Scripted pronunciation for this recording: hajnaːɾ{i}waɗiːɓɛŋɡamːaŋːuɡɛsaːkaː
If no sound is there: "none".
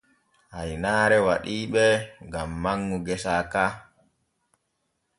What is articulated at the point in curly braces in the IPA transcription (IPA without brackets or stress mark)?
ɛ